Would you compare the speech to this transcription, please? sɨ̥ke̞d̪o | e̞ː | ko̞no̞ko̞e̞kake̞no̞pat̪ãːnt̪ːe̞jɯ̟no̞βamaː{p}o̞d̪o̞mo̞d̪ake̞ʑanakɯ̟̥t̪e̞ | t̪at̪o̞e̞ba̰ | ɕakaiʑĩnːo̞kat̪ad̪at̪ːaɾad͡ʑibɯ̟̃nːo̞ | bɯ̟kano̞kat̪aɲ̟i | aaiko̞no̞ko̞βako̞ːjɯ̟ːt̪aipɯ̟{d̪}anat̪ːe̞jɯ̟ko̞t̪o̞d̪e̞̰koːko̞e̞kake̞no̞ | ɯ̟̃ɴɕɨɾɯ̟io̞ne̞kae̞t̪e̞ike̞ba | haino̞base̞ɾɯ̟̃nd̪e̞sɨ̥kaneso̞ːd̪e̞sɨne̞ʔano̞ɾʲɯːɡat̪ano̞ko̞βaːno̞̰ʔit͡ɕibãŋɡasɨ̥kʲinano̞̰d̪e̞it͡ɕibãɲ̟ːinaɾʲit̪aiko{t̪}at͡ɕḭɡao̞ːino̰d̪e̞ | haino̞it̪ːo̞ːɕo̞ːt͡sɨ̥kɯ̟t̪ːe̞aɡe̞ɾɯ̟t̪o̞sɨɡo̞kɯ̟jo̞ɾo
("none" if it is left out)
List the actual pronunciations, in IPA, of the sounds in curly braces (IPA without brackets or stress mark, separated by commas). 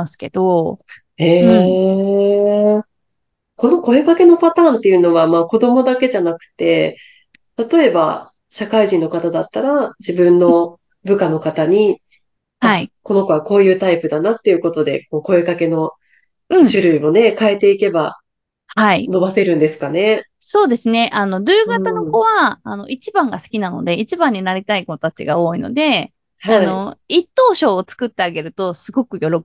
k, d̪, t̪